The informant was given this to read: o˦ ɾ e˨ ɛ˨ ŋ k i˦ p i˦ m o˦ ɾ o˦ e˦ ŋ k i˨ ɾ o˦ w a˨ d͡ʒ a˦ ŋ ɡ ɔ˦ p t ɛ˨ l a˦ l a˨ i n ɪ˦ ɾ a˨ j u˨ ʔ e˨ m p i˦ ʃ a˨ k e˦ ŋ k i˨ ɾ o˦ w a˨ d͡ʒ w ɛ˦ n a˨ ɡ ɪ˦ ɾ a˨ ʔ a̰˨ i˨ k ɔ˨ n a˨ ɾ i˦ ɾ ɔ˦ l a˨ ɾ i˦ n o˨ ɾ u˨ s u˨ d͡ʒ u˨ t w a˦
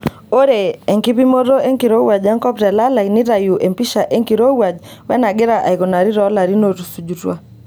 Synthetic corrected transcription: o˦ ɾ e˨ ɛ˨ ŋ k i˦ p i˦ m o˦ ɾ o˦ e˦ ŋ k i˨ ɾ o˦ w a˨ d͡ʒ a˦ ŋ k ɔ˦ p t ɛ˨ l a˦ l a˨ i n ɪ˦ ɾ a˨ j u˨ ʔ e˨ m p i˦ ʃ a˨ ʔ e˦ ŋ k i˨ ɾ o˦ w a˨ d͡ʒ w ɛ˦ n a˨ ɡ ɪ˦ ɾ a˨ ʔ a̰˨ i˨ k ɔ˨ n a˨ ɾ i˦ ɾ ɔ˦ l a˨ ɾ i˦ n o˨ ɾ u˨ s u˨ d͡ʒ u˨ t w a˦